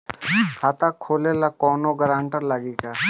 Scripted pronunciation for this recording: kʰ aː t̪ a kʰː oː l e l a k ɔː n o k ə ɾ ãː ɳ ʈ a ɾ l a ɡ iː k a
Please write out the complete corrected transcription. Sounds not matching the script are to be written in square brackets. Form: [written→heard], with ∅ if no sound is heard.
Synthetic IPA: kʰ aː t̪ a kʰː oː l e l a k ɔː n o [k→ɡ] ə ɾ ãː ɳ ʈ [a→ə] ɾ l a ɡ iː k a